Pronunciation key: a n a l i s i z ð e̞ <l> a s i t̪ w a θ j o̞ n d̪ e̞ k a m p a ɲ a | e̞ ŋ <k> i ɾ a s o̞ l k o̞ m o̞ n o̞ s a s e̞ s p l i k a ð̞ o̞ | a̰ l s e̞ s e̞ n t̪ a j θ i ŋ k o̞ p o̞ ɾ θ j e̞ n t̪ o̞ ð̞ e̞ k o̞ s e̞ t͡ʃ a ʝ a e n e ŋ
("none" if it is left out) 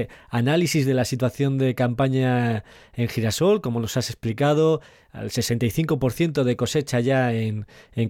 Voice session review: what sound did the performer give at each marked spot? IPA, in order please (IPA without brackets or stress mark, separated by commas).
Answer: l, x